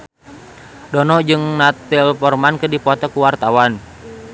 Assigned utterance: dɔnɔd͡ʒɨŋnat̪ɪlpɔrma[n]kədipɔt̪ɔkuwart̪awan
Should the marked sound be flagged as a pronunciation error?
no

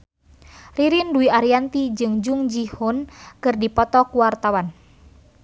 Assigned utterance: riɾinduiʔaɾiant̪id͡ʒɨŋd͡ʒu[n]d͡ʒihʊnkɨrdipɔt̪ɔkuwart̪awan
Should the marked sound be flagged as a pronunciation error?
yes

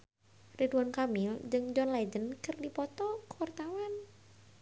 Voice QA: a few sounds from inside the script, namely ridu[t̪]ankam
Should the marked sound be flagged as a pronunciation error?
yes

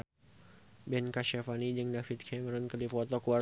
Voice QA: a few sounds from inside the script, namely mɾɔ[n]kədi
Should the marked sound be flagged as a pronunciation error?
no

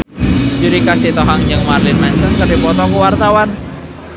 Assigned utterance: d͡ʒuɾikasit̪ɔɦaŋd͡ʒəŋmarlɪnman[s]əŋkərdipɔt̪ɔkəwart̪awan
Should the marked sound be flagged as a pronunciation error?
no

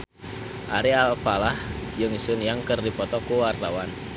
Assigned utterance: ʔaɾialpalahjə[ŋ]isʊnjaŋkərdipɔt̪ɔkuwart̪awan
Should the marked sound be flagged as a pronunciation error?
no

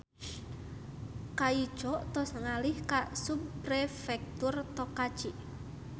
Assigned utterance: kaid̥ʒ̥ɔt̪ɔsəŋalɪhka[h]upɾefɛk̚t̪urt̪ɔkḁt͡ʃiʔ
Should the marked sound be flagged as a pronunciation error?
yes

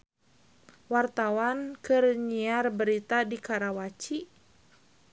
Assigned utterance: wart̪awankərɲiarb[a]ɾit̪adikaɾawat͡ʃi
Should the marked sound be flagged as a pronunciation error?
yes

